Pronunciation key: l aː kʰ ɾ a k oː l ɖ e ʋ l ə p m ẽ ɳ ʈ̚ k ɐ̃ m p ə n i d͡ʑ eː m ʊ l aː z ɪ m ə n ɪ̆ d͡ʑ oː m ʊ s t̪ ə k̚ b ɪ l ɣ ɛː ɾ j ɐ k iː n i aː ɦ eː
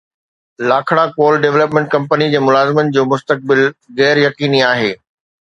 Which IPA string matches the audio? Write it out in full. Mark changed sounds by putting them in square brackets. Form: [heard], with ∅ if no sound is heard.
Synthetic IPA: l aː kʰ [ɽ] a k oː l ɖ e ʋ l ə p m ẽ ɳ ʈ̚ k ɐ̃ m p ə n i d͡ʑ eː m ʊ l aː z ɪ m ə n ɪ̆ d͡ʑ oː m ʊ s t̪ ə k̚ b ɪ l ɣ ɛː ɾ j ɐ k iː n i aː ɦ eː